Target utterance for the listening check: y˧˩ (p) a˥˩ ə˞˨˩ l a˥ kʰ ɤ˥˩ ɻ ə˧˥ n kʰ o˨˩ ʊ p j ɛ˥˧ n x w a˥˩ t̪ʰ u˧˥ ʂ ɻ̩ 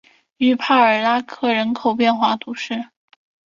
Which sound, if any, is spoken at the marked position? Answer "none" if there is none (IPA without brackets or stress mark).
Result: pʰ